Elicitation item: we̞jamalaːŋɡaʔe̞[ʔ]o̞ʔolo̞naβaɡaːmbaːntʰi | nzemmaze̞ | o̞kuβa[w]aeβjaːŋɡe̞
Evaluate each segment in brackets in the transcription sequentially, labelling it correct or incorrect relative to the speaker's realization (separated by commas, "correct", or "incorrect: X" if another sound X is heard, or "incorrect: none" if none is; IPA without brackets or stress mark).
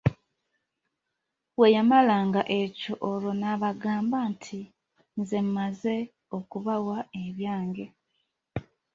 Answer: incorrect: c, correct